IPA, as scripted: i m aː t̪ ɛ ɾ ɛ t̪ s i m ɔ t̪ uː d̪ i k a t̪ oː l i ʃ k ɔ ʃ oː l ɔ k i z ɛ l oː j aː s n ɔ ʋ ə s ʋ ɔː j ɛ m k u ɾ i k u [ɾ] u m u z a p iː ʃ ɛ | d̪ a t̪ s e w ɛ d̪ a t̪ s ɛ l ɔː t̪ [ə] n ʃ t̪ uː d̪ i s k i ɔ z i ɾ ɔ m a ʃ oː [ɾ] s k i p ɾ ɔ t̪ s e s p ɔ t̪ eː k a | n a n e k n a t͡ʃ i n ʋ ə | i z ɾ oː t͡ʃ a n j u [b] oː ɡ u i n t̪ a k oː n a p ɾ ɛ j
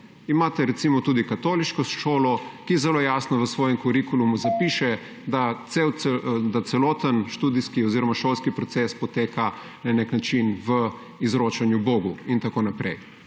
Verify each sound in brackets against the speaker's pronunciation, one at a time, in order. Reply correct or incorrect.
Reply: incorrect: l, correct, incorrect: l, correct

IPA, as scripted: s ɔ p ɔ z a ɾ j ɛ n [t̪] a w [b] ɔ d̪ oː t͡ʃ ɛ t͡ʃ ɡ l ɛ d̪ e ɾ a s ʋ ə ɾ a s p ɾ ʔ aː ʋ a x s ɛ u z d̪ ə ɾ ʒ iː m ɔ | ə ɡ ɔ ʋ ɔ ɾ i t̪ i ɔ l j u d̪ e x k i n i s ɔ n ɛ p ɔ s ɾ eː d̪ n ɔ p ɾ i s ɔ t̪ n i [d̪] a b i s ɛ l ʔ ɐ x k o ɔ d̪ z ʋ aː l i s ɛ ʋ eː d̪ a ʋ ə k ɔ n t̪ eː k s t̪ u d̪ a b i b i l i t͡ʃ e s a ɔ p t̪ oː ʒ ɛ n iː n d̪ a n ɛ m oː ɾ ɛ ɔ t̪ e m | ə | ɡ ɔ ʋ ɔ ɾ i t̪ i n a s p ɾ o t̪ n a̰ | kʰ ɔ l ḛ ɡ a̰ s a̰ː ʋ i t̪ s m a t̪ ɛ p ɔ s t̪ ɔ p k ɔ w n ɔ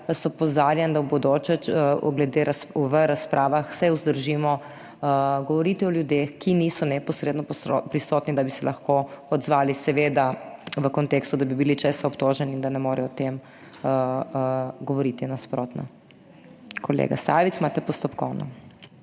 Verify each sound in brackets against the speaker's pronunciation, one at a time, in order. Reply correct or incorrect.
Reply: incorrect: d̪, correct, correct

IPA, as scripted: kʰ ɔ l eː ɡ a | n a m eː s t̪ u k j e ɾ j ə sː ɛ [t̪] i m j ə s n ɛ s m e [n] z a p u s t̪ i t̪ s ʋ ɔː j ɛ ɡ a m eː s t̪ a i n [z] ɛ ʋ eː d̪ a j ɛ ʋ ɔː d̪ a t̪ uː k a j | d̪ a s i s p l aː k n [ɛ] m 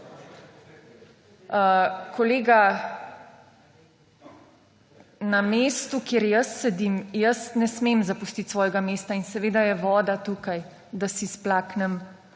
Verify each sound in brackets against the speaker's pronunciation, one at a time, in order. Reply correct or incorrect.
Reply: incorrect: d̪, incorrect: m, incorrect: s, correct

